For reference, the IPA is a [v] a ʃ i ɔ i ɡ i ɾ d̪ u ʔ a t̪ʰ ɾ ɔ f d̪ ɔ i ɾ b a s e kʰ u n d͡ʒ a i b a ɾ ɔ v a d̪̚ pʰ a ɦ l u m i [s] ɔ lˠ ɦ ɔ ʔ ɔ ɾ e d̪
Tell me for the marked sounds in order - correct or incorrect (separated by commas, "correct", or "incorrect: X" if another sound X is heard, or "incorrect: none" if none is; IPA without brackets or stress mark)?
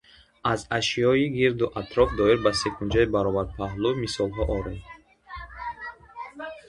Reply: incorrect: z, correct